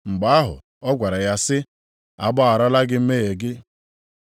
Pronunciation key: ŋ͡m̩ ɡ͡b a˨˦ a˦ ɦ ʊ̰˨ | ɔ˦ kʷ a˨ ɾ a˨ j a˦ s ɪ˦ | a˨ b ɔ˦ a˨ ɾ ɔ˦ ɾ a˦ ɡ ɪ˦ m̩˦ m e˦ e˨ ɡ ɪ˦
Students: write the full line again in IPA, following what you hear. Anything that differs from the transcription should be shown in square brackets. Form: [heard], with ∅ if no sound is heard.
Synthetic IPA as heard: ŋ͡m̩ ɡ͡b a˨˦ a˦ ɦ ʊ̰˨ | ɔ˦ [ɡʷ] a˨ ɾ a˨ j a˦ s ɪ˦ | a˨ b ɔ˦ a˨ ɾ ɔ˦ [l] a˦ ɡ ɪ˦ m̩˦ m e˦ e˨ ɡ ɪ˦